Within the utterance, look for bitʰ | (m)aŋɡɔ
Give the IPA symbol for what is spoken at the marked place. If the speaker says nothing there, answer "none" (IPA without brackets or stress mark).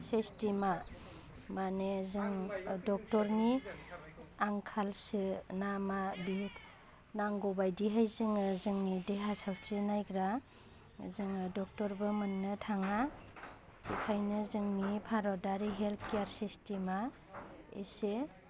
n